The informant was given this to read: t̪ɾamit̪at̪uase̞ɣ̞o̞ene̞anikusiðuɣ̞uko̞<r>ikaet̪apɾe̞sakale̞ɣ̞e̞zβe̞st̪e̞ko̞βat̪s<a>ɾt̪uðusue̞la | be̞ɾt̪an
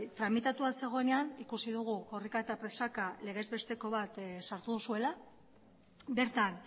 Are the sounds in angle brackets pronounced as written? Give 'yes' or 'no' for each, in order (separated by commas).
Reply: yes, yes